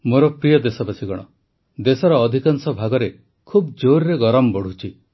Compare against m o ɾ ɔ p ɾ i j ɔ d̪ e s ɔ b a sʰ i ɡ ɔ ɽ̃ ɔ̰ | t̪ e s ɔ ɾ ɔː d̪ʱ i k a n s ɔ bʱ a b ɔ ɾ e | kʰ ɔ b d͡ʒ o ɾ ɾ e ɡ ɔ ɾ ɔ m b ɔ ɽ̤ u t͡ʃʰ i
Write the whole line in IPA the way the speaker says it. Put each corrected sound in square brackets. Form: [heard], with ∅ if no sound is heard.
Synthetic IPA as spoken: m o ɾ ɔ p ɾ i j ɔ d̪ e s ɔ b a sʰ i ɡ ɔ ɽ̃ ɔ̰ | [d̪] e s ɔ ɾ ɔː d̪ʱ i k a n s ɔ bʱ a [ɡ] ɔ ɾ e | kʰ [u] b d͡ʒ o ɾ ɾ e ɡ ɔ ɾ ɔ m b ɔ ɽ̤ u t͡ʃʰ i